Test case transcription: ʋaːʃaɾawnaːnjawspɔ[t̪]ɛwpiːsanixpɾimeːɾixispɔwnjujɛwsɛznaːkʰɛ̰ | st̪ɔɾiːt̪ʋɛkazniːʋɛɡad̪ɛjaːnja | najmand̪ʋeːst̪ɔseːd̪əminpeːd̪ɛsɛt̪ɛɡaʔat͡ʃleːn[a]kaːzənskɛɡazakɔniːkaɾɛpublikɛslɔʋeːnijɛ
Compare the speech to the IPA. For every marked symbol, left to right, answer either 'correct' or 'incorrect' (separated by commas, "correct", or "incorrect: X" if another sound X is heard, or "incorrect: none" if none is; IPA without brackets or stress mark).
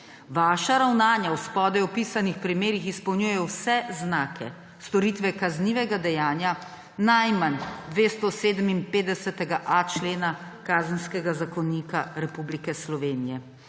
incorrect: d̪, correct